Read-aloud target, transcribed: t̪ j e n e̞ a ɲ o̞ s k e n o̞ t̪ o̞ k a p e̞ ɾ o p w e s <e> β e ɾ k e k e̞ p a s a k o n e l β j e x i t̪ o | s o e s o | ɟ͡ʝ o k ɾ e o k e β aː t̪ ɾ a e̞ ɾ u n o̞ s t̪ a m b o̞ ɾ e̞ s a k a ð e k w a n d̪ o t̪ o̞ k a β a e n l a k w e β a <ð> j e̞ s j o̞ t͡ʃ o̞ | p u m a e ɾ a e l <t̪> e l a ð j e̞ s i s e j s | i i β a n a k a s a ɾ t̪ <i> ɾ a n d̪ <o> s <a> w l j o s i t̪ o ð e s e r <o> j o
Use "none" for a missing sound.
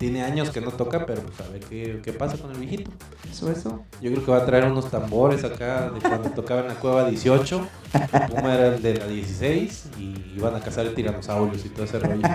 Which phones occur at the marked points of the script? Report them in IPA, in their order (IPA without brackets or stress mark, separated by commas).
a, ð, d̪, i, o, a, o